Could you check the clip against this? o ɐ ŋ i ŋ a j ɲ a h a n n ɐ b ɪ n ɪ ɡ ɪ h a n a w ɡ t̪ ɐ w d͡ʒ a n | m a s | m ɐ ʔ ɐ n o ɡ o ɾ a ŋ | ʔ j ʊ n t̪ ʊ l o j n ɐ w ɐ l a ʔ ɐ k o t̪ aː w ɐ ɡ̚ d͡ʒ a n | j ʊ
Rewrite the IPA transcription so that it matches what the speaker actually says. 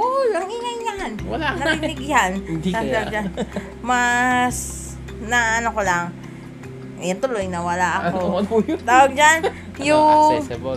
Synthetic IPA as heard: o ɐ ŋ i ŋ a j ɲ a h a n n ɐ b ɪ n ɪ ɡ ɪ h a n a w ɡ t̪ a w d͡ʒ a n | m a s | n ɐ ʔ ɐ n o k o l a ŋ | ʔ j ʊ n t̪ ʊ l o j n ɐ w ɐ l a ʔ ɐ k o t̪ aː w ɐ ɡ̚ d͡ʒ a n | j ʊ